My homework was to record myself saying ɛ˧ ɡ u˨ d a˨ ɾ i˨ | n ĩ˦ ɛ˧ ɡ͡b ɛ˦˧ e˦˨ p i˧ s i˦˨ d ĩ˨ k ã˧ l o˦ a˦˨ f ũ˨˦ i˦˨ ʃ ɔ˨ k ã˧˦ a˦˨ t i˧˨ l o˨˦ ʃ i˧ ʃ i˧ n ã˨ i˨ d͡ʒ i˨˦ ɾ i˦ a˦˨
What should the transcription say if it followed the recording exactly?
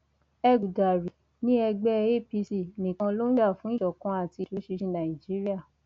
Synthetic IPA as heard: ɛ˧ ɡ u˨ d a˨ ɾ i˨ | n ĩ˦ ɛ˧ ɡ͡b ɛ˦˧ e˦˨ p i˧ s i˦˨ n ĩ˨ k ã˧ l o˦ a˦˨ f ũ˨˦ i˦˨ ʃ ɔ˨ k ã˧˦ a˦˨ t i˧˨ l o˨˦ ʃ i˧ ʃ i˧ n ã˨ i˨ d͡ʒ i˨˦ ɾ i˦ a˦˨